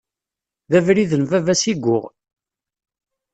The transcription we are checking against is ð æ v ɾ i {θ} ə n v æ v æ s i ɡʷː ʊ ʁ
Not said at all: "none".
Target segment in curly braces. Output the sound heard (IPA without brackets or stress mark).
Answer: ð